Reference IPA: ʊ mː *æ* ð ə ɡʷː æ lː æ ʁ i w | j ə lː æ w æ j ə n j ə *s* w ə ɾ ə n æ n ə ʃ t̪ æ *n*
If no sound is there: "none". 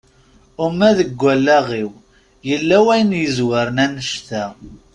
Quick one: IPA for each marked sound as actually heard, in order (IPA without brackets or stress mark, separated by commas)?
æ, z, none